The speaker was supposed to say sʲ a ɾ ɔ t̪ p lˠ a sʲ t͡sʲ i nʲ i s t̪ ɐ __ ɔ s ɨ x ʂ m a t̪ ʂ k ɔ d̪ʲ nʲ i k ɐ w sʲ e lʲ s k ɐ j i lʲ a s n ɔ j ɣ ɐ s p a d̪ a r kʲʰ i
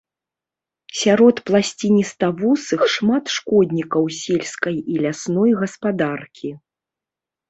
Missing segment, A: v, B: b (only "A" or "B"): A